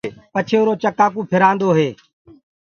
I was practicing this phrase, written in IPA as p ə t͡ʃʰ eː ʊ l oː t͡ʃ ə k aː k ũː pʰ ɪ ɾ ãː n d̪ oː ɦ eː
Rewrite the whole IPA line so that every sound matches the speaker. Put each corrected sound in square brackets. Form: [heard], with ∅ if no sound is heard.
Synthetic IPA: p ə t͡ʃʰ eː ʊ [ɾ] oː t͡ʃ ə k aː k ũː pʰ ɪ ɾ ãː n d̪ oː ɦ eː